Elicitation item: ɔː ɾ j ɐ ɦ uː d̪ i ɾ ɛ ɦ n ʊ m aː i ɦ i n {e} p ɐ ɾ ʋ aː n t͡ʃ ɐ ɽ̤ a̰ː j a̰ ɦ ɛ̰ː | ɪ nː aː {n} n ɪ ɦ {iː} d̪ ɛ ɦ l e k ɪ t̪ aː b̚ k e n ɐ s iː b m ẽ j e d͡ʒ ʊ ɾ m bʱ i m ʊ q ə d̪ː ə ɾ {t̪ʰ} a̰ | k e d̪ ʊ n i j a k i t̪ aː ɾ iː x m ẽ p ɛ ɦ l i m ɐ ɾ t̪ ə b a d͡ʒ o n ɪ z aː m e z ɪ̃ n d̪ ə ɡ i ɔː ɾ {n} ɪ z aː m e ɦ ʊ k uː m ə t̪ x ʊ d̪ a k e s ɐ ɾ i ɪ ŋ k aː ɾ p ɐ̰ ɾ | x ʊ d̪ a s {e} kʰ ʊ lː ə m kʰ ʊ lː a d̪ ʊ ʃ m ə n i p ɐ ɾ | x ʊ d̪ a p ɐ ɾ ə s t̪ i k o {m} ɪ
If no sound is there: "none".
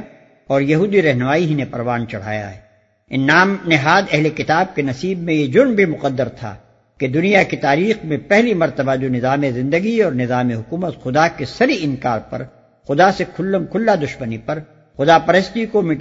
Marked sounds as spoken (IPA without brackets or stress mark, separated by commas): e, m, aː, t̪ʰ, n, e, m